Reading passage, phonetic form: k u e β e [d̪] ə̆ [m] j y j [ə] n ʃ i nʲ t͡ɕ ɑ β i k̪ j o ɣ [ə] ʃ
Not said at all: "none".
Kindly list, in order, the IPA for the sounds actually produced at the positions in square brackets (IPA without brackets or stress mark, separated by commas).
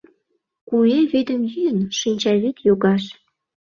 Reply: d̪, m, ə, ɑ